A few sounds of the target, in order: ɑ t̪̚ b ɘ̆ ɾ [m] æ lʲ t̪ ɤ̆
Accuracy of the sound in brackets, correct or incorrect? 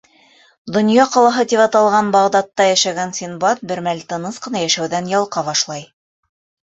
correct